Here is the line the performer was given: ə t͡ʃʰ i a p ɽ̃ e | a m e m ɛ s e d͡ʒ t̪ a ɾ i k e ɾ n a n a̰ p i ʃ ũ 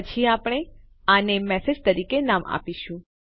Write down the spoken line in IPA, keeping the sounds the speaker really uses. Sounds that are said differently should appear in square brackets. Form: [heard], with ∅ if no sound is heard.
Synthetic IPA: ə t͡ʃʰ i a p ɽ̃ e | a [n] e m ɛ s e d͡ʒ t̪ [ə] ɾ i k e [∅] n a [m] a̰ p i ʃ ũ